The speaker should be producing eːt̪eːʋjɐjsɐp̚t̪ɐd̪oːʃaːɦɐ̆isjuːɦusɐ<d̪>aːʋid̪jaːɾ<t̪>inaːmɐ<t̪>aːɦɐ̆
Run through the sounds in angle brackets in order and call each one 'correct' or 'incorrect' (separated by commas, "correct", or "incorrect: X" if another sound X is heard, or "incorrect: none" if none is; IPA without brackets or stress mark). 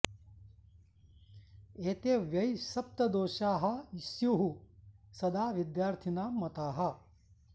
correct, incorrect: t̪ʰ, correct